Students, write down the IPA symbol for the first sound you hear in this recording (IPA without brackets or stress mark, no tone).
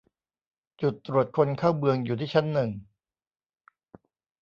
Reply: t͡ɕ